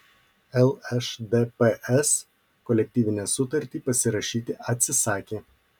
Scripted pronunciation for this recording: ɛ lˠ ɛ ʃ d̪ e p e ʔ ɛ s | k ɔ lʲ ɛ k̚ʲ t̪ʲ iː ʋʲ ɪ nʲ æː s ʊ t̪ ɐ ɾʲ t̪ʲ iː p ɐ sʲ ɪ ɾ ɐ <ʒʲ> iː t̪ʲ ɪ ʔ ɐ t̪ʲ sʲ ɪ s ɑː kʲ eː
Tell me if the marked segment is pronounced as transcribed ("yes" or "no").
no